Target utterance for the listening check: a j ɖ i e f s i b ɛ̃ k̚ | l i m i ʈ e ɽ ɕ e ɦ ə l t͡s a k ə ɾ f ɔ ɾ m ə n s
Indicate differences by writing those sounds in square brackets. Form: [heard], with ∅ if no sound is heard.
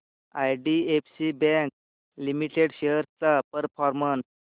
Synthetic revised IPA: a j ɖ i e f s i b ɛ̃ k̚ | l i m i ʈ e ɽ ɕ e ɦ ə [ɾ] t͡s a [p] ə ɾ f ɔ ɾ m ə n s

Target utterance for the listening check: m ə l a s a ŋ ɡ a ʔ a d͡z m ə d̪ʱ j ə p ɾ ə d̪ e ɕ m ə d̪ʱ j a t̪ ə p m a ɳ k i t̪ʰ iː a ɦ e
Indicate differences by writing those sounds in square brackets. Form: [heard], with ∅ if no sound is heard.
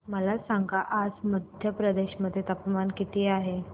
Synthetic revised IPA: m ə l a s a ŋ ɡ a ʔ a d͡z m ə d̪ʱ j ə p ɾ ə d̪ e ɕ m ə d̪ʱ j [e] t̪ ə p m a [n] k i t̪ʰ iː a ɦ e

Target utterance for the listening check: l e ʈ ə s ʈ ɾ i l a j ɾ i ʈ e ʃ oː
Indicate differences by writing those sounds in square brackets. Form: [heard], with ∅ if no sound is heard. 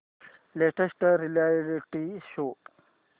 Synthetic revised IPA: l e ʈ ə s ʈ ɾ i l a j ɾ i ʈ [i] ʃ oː

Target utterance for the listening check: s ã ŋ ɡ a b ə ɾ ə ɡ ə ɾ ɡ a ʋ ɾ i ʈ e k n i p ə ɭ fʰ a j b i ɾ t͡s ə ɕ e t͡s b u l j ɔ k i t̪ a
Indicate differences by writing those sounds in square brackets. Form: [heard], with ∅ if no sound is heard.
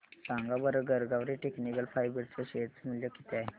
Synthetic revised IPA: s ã ŋ ɡ a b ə ɾ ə ɡ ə ɾ ɡ a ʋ ɾ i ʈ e k n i [k] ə [l] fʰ a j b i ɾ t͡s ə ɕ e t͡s [m] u l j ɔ k i t̪ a

